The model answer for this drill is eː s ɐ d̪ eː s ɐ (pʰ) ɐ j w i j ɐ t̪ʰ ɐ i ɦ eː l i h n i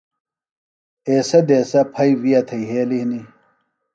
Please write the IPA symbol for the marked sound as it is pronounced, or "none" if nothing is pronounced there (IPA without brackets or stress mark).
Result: pʰ